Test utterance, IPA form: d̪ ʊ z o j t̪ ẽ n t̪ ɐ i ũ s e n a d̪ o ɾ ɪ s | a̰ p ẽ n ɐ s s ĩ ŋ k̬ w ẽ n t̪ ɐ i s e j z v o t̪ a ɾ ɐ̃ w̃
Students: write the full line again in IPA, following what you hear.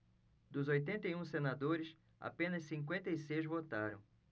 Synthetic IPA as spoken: d̪ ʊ z o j t̪ ẽ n t̪ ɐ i ũ s e n a d̪ o ɾ ɪ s | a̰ p ẽ n ɐ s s ĩ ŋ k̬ w ẽ n t̪ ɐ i s e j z v o t̪ a ɾ ɐ̃ w̃